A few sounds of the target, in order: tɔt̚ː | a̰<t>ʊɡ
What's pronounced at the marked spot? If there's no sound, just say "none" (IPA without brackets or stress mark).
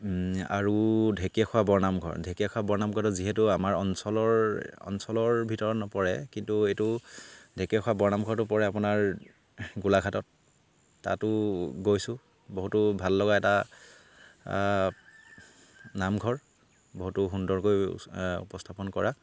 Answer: t